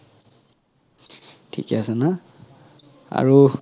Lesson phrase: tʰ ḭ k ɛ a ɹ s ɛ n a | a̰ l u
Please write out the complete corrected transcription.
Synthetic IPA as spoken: tʰ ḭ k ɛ a s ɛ n a | a̰ ɹ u